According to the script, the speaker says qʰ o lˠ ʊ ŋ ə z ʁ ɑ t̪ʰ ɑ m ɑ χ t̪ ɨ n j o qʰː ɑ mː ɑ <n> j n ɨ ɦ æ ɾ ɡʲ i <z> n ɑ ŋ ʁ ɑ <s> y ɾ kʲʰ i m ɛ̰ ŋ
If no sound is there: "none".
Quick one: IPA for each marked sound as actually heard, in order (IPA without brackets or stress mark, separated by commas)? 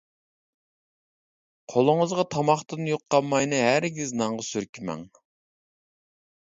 none, z, s